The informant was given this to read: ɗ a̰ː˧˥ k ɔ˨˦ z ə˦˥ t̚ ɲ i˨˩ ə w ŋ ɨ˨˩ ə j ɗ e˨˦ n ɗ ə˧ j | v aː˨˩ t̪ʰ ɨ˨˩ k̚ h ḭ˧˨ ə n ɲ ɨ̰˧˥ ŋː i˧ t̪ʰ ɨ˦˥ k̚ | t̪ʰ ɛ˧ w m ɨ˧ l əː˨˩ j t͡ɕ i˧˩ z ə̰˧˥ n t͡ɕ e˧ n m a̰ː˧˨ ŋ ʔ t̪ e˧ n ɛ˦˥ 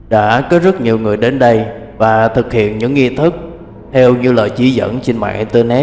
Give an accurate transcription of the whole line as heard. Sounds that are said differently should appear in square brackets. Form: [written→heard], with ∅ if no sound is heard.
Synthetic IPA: ɗ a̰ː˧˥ k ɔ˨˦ z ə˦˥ t̚ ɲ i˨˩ ə w ŋ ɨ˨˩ ə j ɗ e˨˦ n ɗ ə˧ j | v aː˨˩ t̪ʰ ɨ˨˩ k̚ h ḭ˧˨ ə n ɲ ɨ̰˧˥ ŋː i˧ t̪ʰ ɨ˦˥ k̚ | t̪ʰ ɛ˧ w [m→ɲ] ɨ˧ l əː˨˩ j t͡ɕ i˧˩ z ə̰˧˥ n t͡ɕ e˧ n m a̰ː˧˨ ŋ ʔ t̪ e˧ n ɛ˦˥

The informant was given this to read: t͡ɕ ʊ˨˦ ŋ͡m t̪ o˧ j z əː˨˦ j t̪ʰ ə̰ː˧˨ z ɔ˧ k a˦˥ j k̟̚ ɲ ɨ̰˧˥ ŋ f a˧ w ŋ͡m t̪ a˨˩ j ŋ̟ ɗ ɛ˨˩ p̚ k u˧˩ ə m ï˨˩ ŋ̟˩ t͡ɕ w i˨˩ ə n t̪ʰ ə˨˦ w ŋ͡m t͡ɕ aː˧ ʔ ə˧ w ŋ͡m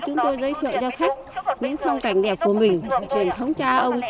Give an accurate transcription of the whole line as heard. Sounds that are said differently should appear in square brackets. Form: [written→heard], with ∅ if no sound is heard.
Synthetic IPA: t͡ɕ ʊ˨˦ ŋ͡m t̪ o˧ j z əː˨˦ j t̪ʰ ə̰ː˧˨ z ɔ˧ [k→x] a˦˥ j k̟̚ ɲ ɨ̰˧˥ ŋ f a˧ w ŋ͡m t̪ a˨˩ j ŋ̟ ɗ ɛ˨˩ p̚ k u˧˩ ə m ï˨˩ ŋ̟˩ t͡ɕ w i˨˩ ə n t̪ʰ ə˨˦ w ŋ͡m t͡ɕ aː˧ ʔ ə˧ w ŋ͡m

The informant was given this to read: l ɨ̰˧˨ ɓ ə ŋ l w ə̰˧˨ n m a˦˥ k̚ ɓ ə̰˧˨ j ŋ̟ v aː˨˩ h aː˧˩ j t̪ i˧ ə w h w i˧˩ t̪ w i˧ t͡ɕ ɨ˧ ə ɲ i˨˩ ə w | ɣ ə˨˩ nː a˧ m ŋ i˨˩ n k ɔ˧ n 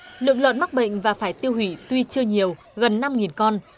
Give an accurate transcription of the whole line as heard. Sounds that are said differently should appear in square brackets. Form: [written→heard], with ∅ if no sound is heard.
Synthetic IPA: l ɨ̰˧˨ [ɓ→∅] ə ŋ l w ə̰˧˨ n m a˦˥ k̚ ɓ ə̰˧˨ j ŋ̟ v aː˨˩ [h→f] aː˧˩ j t̪ i˧ ə w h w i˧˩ t̪ w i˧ t͡ɕ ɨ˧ ə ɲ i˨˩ ə w | ɣ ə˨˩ nː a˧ m ŋ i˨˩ n k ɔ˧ n

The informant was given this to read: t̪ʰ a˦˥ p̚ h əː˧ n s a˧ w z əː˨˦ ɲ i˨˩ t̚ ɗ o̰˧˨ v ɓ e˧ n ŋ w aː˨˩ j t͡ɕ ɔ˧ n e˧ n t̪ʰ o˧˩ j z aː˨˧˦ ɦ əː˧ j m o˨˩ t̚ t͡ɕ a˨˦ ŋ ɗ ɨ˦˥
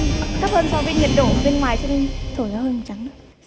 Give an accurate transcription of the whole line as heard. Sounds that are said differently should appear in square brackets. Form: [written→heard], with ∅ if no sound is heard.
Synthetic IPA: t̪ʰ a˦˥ p̚ h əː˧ n s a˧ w [z→v] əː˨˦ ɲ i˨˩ t̚ ɗ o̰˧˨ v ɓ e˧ n ŋ w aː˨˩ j t͡ɕ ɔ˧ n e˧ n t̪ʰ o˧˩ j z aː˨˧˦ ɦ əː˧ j m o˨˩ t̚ t͡ɕ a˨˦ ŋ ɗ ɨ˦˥

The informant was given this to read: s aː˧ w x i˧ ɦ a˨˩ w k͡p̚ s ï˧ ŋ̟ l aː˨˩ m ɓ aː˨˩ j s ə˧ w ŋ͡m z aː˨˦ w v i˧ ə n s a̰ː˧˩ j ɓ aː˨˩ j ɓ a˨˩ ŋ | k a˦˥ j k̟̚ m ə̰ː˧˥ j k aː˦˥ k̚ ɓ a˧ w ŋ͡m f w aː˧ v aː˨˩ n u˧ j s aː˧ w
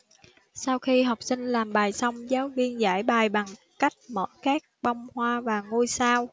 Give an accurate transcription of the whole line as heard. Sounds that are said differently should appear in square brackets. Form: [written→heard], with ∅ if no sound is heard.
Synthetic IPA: s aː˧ w x i˧ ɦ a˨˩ w k͡p̚ s ï˧ ŋ̟ l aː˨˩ m ɓ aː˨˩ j s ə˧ w ŋ͡m z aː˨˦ w v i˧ ə n [s→z] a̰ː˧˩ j ɓ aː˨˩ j ɓ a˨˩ ŋ | k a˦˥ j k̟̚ m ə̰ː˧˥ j k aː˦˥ k̚ ɓ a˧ w ŋ͡m [f→h] w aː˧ v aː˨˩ [n→ŋ] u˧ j s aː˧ w

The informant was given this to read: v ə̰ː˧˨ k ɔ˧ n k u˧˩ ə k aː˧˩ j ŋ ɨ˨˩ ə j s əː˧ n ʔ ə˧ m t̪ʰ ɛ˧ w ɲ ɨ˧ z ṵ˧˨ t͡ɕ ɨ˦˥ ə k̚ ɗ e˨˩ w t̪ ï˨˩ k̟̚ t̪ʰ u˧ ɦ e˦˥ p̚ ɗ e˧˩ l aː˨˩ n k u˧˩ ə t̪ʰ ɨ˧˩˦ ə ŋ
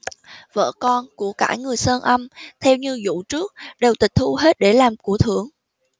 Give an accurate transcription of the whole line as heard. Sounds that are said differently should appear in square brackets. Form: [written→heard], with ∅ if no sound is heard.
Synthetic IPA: v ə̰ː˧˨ k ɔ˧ n k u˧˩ ə k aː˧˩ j ŋ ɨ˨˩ ə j s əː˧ n ʔ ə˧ m t̪ʰ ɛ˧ w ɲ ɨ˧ z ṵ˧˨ t͡ɕ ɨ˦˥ ə k̚ ɗ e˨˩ w t̪ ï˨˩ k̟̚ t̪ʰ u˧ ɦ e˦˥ [p̚→t̚] ɗ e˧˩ l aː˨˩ [n→m] k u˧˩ ə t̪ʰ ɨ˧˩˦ ə ŋ

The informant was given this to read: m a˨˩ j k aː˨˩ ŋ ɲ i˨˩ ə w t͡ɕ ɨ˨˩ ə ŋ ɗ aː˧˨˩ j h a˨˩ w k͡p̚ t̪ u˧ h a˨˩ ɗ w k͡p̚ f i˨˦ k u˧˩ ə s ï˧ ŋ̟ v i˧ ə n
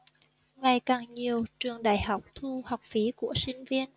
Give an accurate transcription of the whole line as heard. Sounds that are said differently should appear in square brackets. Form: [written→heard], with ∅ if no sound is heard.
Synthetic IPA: [m→ŋ] a˨˩ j k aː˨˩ ŋ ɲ i˨˩ ə w t͡ɕ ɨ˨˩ ə ŋ ɗ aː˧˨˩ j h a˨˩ w k͡p̚ [t̪→t̪ʰ] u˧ h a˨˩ [ɗ→∅] w k͡p̚ f i˨˦ k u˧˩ ə s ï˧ ŋ̟ v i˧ ə n

